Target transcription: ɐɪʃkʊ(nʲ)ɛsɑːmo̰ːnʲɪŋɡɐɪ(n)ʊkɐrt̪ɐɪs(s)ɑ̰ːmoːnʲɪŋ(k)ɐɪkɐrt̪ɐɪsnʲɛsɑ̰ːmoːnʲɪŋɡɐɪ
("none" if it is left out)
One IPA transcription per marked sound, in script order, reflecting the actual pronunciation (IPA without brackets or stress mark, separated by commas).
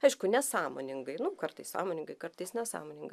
nʲ, n, s, ɡ